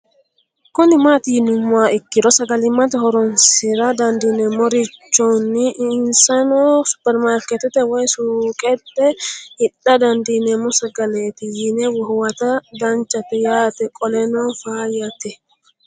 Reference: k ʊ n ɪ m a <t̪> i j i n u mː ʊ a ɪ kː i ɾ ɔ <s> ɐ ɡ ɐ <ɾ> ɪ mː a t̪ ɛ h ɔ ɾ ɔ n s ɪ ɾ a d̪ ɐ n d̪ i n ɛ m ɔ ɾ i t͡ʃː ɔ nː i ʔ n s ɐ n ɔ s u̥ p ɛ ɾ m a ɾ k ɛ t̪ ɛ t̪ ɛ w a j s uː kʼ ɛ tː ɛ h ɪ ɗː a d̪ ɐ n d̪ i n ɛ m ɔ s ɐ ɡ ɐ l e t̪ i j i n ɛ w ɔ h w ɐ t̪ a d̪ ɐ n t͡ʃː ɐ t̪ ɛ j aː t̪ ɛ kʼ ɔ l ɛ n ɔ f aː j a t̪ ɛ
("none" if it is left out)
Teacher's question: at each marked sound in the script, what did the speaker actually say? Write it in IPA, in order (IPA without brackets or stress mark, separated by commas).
t̪, s, l